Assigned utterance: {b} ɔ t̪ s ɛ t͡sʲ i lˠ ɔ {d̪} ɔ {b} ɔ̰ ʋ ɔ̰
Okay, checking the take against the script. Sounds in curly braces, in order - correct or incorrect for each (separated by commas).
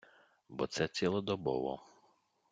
correct, correct, correct